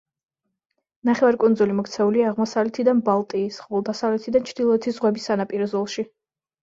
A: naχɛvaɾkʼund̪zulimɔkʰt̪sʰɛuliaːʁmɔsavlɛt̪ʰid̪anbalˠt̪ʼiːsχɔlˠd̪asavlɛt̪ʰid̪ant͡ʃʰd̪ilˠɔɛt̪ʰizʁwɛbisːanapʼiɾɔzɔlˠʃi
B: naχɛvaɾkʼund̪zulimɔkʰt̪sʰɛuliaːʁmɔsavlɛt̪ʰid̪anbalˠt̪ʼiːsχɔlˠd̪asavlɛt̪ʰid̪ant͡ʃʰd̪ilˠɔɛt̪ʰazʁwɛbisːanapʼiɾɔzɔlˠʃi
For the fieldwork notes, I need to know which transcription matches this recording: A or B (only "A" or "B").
A